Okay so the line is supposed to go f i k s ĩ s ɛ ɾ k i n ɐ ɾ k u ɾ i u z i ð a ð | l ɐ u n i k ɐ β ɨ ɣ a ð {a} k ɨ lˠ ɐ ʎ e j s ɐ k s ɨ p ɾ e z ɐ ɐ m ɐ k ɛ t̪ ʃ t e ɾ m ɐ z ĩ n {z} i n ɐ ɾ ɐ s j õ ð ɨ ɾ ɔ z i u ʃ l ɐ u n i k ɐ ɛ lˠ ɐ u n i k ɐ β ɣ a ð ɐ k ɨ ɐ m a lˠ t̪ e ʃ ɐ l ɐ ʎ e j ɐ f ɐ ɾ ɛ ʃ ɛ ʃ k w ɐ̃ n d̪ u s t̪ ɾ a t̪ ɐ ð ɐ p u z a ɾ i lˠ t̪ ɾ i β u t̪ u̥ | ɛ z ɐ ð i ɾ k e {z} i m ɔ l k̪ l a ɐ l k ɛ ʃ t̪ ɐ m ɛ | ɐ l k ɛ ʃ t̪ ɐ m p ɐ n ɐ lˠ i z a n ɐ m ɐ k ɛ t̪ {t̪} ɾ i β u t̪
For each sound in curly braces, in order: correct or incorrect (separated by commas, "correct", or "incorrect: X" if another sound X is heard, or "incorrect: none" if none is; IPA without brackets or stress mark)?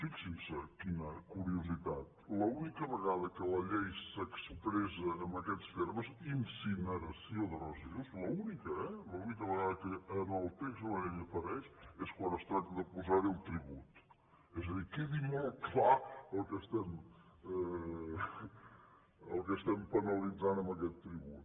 incorrect: ɐ, incorrect: s, incorrect: ð, correct